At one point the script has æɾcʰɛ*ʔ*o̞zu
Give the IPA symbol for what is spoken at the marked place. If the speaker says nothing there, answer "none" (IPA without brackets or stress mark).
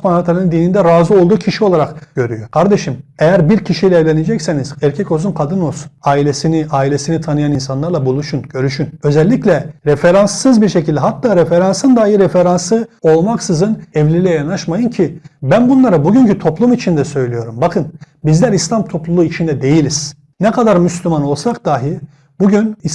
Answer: c